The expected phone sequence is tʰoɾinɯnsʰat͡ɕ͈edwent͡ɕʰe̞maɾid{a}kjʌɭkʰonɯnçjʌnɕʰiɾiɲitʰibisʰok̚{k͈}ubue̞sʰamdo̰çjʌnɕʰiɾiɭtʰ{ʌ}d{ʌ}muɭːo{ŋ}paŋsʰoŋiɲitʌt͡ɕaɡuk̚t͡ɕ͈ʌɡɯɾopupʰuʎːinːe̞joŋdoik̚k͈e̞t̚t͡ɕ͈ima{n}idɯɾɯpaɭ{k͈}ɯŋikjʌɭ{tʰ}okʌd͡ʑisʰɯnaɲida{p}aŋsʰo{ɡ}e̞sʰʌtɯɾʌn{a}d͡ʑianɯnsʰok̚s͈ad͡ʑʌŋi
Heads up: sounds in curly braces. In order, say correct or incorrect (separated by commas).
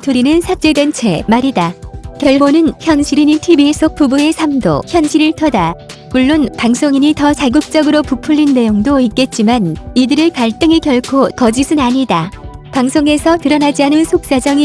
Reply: correct, incorrect, correct, incorrect, incorrect, correct, incorrect, incorrect, correct, incorrect, correct